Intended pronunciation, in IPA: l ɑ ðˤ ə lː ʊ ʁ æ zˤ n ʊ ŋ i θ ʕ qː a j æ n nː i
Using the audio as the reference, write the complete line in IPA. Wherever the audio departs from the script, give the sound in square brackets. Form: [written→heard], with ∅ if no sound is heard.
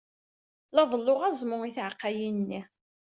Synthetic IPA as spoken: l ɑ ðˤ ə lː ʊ ʁ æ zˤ [n→m] ʊ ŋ i θ ʕ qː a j [æ→i] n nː i